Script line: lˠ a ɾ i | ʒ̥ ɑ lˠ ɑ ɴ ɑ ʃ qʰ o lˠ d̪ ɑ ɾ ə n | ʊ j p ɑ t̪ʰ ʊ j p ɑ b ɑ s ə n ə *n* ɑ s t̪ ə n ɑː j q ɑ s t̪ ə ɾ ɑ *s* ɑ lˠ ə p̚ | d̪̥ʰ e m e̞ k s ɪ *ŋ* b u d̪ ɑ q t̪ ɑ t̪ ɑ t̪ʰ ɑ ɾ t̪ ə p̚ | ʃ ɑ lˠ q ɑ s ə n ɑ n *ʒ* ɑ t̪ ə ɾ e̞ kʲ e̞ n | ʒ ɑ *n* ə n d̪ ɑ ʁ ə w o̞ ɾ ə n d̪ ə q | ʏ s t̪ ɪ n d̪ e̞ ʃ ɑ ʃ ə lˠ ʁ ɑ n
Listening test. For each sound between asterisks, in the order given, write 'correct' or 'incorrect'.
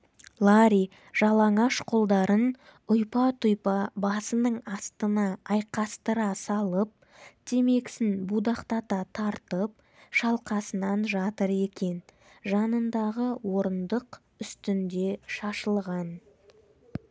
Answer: incorrect, correct, incorrect, correct, correct

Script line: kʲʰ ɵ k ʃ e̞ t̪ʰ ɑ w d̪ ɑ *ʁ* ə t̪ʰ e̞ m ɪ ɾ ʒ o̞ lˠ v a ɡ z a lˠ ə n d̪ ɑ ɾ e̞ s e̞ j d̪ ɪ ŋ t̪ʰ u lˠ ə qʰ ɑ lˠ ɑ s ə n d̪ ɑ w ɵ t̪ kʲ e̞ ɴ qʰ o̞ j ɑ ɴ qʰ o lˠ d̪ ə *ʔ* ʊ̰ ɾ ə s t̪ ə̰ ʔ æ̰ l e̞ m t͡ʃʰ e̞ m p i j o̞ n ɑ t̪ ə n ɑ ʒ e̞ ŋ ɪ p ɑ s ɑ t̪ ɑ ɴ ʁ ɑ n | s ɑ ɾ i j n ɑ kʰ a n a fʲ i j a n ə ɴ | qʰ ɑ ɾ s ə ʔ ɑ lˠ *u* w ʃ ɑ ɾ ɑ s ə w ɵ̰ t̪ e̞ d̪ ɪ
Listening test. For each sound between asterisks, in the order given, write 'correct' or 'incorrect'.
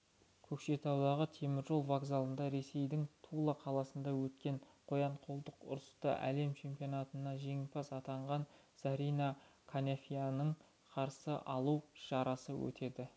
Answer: correct, incorrect, correct

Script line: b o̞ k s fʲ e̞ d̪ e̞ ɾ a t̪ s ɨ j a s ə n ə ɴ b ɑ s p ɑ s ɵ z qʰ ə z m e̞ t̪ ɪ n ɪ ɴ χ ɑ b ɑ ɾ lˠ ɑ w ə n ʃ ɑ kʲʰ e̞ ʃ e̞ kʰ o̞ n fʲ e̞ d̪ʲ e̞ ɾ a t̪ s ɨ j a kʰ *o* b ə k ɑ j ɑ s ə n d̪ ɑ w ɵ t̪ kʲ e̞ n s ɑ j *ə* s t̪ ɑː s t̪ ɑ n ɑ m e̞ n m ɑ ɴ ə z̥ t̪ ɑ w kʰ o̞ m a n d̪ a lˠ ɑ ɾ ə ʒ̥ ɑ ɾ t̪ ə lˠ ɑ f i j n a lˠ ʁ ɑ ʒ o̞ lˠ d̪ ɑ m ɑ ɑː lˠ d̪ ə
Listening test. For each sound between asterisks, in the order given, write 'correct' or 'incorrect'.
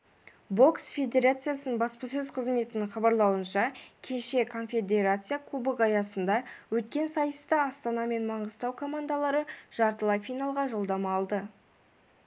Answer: incorrect, correct

